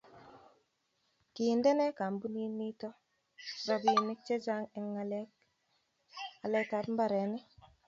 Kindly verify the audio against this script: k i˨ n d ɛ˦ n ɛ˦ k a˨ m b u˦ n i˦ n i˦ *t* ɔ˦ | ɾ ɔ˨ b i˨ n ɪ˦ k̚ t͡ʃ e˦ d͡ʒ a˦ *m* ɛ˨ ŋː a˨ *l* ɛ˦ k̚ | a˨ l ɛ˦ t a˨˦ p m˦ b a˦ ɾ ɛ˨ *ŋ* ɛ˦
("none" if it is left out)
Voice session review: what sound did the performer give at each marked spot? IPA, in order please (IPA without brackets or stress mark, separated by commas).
t, ŋ, l, n